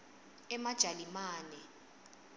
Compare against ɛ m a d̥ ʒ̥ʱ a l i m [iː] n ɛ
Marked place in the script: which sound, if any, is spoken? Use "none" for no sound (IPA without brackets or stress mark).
aː